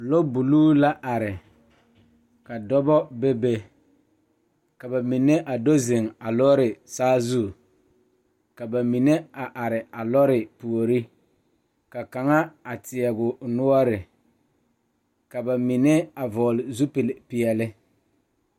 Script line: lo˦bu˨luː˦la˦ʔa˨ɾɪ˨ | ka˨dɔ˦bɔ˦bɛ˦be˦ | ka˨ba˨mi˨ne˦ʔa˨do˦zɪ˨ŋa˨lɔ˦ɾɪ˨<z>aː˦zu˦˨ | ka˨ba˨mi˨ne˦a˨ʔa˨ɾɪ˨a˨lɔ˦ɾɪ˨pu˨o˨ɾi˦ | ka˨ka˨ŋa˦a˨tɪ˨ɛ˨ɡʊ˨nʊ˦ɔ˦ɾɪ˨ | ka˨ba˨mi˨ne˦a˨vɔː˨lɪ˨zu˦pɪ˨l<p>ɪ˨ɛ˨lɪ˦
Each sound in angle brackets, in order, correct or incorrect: incorrect: s, correct

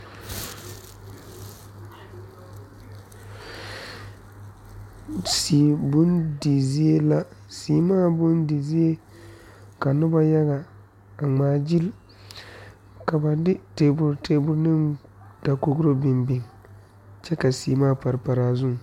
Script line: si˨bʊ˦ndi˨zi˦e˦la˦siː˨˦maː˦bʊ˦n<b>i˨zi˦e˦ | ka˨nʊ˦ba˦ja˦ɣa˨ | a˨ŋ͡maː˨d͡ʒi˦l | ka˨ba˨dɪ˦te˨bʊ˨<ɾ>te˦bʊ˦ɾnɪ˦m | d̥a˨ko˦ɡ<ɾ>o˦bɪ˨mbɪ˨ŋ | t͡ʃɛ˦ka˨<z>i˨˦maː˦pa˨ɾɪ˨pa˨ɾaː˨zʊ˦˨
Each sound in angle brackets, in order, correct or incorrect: incorrect: d, correct, correct, incorrect: s

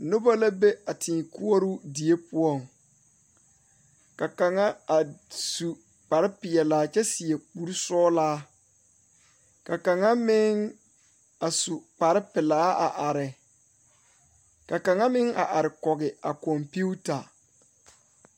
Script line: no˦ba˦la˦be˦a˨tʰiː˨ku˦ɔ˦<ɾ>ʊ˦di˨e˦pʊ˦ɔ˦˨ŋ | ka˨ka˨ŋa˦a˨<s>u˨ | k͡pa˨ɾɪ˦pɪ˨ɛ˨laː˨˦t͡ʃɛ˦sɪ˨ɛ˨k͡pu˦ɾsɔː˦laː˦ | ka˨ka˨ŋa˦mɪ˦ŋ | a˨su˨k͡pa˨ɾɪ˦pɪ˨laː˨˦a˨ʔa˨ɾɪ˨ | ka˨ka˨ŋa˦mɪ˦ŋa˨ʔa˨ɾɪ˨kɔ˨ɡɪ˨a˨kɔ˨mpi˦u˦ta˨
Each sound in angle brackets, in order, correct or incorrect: correct, correct

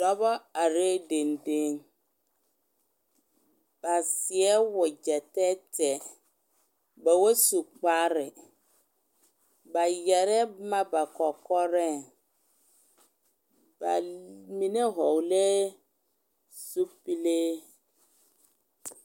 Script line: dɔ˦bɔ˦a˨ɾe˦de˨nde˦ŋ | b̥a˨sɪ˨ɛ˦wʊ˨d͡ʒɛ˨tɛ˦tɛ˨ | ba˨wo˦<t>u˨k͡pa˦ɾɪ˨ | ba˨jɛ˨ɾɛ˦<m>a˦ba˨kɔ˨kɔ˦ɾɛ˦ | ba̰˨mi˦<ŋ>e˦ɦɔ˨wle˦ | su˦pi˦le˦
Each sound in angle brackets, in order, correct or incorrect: incorrect: s, correct, incorrect: n

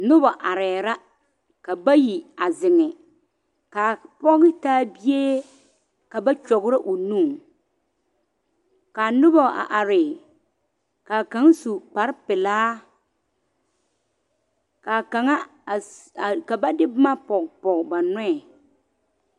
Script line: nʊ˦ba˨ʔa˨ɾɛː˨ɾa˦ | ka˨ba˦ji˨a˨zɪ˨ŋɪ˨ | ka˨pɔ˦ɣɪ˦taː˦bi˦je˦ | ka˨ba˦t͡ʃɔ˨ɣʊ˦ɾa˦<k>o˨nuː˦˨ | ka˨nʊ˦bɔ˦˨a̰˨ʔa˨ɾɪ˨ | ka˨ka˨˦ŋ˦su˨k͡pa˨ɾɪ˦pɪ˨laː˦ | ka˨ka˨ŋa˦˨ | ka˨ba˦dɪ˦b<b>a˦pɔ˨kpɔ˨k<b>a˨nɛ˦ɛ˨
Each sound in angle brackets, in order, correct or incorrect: incorrect: ʔ, incorrect: m, correct

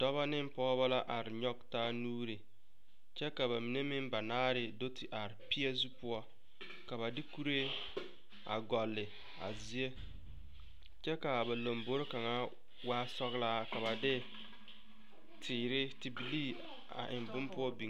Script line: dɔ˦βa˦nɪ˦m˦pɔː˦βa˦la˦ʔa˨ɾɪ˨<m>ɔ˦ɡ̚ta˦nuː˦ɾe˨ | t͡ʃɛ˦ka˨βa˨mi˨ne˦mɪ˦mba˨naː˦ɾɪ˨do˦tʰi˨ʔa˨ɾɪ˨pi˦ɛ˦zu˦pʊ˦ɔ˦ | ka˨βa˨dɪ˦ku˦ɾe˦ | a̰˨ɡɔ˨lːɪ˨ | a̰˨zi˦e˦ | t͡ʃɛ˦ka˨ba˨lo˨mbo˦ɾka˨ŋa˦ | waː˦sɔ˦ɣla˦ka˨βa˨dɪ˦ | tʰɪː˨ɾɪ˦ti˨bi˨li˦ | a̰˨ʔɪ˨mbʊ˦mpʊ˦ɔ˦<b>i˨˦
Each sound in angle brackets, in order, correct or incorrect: incorrect: ɲ, correct

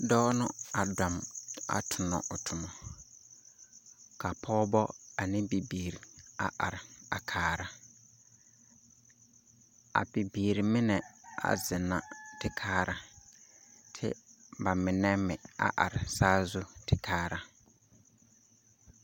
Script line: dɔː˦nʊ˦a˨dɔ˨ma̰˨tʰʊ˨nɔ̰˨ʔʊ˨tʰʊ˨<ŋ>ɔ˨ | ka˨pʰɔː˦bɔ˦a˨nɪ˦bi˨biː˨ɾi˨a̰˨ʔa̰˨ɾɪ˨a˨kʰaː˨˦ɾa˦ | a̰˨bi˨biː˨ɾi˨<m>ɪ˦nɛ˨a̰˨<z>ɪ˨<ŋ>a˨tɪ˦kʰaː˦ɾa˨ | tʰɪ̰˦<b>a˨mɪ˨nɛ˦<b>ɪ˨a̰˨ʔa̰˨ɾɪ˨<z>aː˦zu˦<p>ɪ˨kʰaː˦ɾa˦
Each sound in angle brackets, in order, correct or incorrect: incorrect: m, correct, correct, incorrect: n, correct, incorrect: m, incorrect: s, incorrect: t

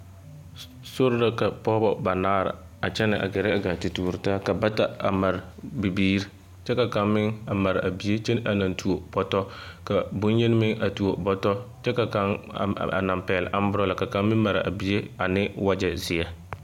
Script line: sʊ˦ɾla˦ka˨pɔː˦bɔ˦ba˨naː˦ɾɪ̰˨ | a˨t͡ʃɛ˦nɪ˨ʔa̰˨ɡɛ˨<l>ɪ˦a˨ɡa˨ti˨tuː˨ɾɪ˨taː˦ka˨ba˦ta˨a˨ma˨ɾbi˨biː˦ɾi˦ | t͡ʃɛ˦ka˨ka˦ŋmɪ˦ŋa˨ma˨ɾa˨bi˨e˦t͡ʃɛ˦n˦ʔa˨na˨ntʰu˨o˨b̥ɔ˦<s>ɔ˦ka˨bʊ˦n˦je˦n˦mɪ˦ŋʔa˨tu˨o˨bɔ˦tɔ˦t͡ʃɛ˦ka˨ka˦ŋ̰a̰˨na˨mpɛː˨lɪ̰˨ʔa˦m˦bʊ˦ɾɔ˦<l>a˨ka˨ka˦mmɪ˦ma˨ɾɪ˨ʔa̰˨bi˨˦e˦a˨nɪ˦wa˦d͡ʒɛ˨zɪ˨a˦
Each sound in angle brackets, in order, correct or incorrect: incorrect: ɾ, incorrect: t, correct

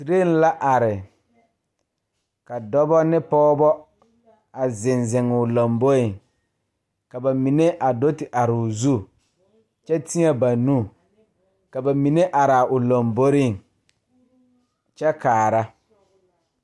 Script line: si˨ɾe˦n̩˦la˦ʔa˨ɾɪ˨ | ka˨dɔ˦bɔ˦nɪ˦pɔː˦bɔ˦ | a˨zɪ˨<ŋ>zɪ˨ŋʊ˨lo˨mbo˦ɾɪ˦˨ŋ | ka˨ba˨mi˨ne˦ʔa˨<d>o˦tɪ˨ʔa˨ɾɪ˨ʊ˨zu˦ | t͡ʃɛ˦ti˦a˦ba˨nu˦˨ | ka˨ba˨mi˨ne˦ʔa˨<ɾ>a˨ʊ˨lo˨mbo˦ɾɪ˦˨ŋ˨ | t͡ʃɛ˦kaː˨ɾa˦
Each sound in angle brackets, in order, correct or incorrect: incorrect: n, correct, correct

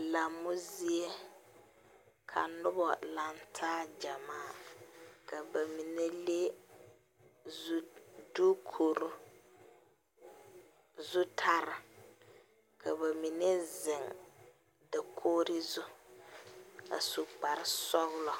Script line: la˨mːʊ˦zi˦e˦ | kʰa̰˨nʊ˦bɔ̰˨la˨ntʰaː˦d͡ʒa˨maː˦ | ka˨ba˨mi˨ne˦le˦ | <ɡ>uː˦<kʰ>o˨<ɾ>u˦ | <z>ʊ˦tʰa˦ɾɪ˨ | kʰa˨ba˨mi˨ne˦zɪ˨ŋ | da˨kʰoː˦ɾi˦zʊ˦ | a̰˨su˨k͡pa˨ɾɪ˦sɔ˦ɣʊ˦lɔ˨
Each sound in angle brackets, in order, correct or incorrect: incorrect: d, correct, correct, correct

